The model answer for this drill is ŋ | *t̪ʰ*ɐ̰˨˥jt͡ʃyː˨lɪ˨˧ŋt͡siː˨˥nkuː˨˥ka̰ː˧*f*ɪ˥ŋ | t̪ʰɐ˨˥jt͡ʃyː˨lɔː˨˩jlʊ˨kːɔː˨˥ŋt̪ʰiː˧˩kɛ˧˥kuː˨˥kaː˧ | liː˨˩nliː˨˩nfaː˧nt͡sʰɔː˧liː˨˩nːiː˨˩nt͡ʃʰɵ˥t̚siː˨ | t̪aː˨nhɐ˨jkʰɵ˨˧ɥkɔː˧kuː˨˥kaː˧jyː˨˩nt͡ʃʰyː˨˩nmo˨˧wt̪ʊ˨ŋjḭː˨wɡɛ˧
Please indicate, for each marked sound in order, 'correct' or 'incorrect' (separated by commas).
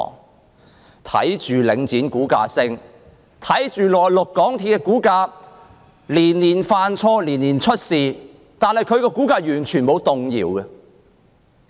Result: correct, incorrect